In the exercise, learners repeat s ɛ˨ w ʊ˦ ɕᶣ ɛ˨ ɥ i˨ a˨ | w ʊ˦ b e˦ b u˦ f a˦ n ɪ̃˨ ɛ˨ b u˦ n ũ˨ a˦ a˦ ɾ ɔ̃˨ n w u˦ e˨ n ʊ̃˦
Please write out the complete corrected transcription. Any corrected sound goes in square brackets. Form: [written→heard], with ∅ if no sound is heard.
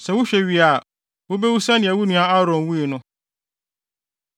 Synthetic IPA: s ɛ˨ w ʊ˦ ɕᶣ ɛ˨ ɥ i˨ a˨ | w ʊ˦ b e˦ [b→w] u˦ [f→s] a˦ n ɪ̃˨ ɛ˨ [b→w] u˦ n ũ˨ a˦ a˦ ɾ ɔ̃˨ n w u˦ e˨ n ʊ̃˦